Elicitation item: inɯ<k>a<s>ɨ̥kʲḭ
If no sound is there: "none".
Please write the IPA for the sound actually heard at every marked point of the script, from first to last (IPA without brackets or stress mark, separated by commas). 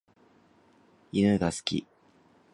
ɡ, s